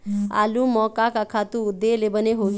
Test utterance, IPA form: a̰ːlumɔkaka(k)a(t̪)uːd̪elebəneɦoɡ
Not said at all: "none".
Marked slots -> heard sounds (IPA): kʰ, t̪

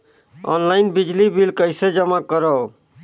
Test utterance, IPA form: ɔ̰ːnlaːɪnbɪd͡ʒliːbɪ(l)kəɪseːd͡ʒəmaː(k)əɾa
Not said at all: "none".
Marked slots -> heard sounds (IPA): l, k

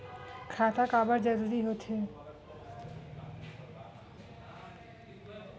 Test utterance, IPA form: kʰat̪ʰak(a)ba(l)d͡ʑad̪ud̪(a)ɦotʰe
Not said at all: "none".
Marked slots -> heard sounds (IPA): a, ɾ, i

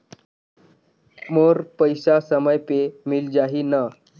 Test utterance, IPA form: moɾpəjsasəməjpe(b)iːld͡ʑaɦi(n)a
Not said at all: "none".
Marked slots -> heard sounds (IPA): m, n

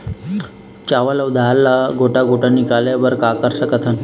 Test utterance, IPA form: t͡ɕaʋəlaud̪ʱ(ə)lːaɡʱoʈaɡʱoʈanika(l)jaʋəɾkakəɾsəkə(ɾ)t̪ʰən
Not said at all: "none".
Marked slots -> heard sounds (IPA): a, l, none

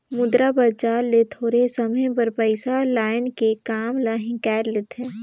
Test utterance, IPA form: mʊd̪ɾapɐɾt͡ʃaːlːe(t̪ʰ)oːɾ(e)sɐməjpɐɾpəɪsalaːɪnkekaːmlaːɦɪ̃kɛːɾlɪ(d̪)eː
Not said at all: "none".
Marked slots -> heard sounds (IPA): t̪ʰ, e, t̪

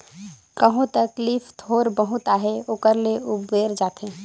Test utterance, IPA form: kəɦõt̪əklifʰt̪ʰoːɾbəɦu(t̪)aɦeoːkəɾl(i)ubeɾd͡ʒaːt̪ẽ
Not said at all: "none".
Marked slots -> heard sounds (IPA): t̪, e

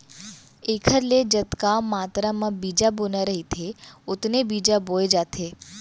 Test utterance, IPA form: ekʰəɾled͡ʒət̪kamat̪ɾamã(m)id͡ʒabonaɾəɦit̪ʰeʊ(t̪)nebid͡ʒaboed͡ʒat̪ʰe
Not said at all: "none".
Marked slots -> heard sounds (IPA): b, t̪

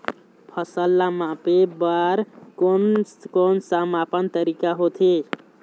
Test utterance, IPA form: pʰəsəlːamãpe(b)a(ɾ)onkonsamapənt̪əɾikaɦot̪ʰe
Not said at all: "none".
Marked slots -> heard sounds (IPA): b, ɾ

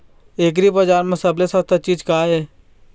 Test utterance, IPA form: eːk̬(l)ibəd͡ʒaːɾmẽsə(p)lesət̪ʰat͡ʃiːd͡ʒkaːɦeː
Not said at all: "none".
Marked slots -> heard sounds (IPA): ɾ, b

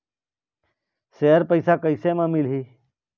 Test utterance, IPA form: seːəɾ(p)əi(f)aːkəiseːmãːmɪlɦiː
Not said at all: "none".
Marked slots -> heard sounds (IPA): p, s

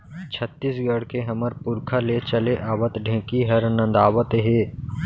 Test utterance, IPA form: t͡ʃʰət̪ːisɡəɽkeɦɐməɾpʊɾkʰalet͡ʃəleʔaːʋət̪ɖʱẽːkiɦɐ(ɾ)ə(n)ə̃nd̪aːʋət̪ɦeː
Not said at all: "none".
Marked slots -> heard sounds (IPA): ɾ, n

